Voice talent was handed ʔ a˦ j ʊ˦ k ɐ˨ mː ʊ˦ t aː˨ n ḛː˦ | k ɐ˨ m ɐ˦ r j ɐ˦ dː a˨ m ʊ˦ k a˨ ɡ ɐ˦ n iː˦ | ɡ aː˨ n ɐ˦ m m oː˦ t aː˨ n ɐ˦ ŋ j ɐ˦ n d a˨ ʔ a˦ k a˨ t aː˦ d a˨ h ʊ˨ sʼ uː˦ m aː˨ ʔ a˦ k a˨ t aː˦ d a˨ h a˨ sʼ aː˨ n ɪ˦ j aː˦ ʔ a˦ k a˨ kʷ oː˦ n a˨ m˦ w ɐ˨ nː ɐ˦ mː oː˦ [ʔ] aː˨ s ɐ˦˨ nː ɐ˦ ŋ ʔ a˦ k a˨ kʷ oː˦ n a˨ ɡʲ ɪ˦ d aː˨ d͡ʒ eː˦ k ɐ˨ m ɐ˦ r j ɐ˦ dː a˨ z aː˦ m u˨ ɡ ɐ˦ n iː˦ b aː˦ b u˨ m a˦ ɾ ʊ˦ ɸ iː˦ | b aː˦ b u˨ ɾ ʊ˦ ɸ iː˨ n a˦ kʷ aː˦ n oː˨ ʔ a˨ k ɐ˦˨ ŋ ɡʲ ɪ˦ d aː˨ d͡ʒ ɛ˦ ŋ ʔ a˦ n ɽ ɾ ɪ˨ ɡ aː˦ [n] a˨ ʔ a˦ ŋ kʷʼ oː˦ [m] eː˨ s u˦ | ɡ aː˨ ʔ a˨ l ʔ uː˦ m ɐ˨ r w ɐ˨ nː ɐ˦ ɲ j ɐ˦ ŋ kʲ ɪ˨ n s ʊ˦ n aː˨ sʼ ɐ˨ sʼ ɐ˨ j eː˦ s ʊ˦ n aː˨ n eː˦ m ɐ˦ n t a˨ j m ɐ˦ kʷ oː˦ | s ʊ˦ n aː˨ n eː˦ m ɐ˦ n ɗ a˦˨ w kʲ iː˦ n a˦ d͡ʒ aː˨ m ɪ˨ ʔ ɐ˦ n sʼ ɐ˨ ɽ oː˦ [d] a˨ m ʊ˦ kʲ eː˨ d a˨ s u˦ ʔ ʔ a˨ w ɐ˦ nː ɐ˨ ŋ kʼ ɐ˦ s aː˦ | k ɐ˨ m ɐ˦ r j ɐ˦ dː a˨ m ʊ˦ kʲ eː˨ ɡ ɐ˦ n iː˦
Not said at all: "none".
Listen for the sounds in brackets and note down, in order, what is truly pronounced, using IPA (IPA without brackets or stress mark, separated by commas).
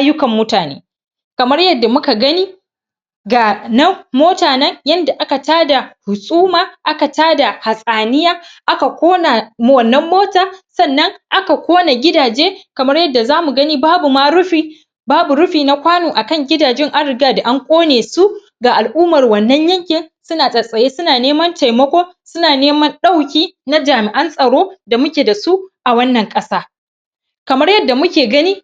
t, d, n, d